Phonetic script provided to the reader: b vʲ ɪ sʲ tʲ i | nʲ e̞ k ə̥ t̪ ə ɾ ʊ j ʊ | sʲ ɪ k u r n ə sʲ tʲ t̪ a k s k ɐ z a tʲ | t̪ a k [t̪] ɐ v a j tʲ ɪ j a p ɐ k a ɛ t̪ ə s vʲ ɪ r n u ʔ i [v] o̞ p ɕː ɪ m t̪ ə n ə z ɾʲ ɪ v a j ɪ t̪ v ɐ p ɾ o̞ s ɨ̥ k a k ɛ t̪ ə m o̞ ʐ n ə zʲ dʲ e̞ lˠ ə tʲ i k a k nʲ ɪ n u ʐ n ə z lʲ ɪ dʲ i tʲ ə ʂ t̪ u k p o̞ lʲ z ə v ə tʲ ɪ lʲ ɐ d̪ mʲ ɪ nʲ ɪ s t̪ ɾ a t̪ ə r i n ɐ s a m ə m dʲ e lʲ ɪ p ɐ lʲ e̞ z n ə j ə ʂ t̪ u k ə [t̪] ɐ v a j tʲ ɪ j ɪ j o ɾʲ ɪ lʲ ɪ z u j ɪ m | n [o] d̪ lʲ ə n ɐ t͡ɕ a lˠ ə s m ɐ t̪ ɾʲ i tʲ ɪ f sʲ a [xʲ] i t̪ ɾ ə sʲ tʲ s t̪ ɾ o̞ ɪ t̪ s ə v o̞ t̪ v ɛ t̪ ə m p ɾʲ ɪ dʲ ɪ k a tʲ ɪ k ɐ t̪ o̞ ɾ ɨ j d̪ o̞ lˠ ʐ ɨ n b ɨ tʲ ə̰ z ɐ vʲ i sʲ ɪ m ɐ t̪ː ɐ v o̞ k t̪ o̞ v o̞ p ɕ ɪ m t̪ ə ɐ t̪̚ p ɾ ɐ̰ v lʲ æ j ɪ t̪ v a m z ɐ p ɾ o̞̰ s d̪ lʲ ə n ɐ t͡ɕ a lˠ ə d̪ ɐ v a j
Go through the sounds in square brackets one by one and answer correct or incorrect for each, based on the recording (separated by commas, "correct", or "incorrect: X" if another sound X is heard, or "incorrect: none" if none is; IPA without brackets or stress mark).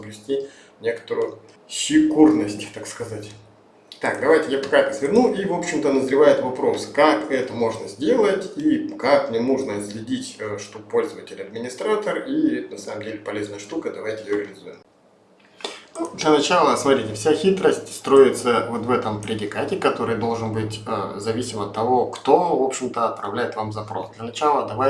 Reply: incorrect: d̪, correct, incorrect: d̪, incorrect: u, correct